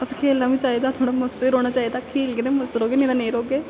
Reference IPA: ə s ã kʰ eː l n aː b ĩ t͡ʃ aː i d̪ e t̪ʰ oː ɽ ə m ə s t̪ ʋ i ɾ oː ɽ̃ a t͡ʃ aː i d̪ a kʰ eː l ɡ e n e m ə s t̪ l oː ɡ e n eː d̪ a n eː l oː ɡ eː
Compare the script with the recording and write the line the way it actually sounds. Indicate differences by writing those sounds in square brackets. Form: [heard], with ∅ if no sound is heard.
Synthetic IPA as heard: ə s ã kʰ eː l n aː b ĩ t͡ʃ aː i d̪ [a] t̪ʰ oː ɽ [a] m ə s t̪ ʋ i ɾ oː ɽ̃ a t͡ʃ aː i d̪ a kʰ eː l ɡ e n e m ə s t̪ [ɾ] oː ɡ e n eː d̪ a n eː [ɾ] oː ɡ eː